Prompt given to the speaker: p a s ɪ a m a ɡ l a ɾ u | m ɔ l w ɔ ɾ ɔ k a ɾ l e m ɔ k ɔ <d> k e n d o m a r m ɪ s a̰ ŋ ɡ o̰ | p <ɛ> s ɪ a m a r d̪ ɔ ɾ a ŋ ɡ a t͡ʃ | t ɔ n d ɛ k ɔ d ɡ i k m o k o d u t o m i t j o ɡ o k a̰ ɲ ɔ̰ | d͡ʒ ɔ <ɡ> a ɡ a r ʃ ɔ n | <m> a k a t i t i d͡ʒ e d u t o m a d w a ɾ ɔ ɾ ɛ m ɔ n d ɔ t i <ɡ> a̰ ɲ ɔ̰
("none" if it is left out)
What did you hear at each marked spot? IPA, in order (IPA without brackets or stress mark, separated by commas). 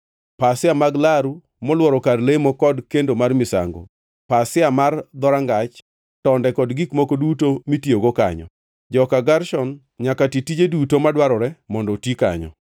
d, a, k, ɲ, k